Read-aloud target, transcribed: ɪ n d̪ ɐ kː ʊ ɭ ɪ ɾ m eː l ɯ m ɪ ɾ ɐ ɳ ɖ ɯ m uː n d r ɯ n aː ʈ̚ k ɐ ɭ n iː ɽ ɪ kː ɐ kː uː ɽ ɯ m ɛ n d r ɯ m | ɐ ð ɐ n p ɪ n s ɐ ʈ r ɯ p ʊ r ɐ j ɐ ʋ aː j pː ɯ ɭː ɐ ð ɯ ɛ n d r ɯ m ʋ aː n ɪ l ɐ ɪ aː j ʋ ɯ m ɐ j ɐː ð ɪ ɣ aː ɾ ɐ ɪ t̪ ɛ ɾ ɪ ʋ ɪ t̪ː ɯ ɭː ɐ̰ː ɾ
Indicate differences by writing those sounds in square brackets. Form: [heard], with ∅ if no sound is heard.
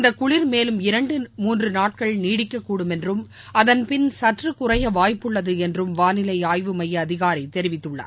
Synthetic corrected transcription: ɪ n d̪ ɐ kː ʊ ɭ ɪ ɾ m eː l ɯ m ɪ ɾ ɐ ɳ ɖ ɯ m uː n d r ɯ n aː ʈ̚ k ɐ ɭ n iː ɽ ɪ kː ɐ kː uː ɽ ɯ m ɛ n d r ɯ m | ɐ ð ɐ n p ɪ n s ɐ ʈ r ɯ [k] ʊ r ɐ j ɐ ʋ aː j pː ɯ ɭː ɐ ð ɯ ɛ n d r ɯ m ʋ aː n ɪ l ɐ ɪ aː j ʋ ɯ m ɐ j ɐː ð ɪ ɣ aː ɾ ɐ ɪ t̪ ɛ ɾ ɪ ʋ ɪ t̪ː ɯ ɭː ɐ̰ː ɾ

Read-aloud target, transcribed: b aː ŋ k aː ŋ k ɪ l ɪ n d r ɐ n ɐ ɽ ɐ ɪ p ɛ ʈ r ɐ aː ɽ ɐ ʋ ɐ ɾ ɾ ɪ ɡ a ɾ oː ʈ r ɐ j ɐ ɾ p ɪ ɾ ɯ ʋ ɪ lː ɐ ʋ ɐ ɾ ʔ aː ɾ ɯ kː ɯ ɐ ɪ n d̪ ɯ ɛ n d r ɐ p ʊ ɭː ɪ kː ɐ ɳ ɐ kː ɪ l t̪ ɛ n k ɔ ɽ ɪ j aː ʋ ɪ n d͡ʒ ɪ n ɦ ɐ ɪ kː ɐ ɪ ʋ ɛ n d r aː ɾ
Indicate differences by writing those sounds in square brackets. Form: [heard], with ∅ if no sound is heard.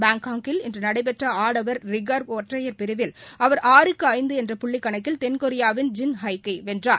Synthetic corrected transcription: b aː ŋ k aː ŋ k ɪ l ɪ n d r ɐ n ɐ ɽ ɐ ɪ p ɛ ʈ r ɐ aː ɽ ɐ ʋ ɐ ɾ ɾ ɪ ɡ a ɾ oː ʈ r ɐ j ɐ ɾ p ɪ ɾ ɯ ʋ ɪ [l] ɐ ʋ ɐ ɾ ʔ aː ɾ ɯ kː ɯ ɐ ɪ n d̪ ɯ ɛ n d r ɐ p ʊ ɭː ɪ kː ɐ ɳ ɐ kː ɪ l t̪ ɛ n k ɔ [ɾ] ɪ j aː ʋ ɪ n d͡ʒ ɪ n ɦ ɐ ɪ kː ɐ ɪ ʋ ɛ n d r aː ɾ

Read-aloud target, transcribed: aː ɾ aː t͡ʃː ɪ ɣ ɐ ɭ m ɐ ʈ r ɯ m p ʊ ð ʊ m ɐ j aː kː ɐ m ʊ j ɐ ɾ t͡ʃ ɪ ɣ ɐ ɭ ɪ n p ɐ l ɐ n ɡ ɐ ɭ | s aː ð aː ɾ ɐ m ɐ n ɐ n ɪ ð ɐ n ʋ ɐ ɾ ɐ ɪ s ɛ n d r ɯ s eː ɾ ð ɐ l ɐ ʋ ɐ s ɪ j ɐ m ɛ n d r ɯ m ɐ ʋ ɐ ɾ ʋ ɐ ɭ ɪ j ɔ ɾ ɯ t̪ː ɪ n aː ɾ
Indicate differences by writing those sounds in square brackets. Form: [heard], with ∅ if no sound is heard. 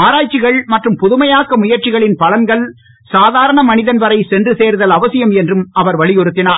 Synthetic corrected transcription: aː ɾ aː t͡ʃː ɪ ɣ ɐ ɭ m ɐ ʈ r ɯ m p ʊ ð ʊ m ɐ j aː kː ɐ m ʊ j ɐ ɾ t͡ʃ ɪ ɣ ɐ ɭ ɪ n p ɐ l ɐ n ɡ ɐ ɭ | s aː ð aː ɾ ɐ [ɳ] ɐ [m] ɐ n ɪ ð ɐ n ʋ ɐ ɾ ɐ ɪ s ɛ n d r ɯ s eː ɾ ð ɐ l ɐ ʋ ɐ s ɪ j ɐ m ɛ n d r ɯ m ɐ ʋ ɐ ɾ ʋ ɐ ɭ ɪ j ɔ ɾ ɯ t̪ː ɪ n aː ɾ

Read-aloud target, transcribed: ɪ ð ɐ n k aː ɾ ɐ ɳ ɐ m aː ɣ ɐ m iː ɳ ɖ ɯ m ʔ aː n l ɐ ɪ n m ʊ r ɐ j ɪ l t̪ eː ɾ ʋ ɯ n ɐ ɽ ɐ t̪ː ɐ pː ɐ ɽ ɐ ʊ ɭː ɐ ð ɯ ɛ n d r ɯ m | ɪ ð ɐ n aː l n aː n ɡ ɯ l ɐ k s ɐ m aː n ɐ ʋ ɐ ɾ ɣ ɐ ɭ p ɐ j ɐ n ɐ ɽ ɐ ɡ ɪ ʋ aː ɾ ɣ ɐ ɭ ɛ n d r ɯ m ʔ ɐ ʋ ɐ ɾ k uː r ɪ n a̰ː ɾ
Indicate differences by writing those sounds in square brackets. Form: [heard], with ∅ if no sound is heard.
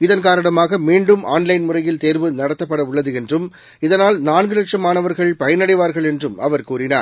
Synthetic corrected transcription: ɪ ð ɐ n k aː ɾ ɐ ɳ ɐ m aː ɣ ɐ m iː ɳ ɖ ɯ m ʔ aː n l ɐ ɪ n m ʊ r ɐ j ɪ l t̪ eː ɾ ʋ ɯ n ɐ ɽ ɐ t̪ː ɐ pː ɐ ɽ ɐ ʊ ɭː ɐ ð ɯ ɛ n d r ɯ m | ɪ ð ɐ n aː l n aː n ɡ ɯ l ɐ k [ʂ] ɐ m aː n ɐ ʋ ɐ ɾ ɣ ɐ ɭ p ɐ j ɐ n ɐ ɽ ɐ [∅] ɪ ʋ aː ɾ ɣ ɐ ɭ ɛ n d r ɯ m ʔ ɐ ʋ ɐ ɾ k uː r ɪ n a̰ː ɾ

